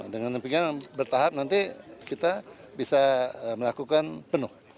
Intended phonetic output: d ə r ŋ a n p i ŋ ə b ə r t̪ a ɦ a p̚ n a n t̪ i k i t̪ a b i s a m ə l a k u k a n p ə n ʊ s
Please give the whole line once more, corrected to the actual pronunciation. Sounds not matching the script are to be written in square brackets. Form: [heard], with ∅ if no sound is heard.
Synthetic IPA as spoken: d ə [∅] ŋ a n p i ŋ [a] b ə r t̪ a ɦ a p̚ n a n t̪ i k i t̪ a b i s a m ə l a k u k a n p ə n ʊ [h]